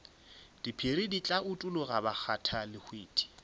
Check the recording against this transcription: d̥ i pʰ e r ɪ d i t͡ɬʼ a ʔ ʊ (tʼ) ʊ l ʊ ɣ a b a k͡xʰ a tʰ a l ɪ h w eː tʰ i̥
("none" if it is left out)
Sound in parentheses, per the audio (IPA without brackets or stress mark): tʼ